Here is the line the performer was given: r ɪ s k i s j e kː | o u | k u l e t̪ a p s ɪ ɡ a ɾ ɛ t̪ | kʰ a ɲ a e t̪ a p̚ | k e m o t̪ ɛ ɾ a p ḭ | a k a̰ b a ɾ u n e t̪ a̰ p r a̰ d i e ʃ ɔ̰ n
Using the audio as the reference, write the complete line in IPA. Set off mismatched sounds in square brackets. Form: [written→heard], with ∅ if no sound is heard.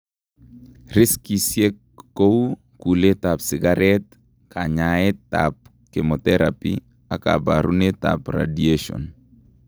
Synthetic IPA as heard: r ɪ s k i s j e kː | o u | k u l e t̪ a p s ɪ ɡ a ɾ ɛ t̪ | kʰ a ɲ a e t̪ a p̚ | k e m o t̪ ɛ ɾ a p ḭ | a k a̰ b a ɾ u n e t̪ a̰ p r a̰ d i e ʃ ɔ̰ n